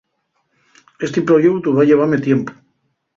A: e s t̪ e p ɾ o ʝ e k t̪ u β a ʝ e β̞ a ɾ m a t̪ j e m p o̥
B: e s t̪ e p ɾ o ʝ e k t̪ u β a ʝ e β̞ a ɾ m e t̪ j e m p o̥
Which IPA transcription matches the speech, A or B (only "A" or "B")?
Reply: B